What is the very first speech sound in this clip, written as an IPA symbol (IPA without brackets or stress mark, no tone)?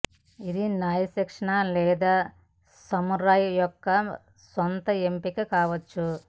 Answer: i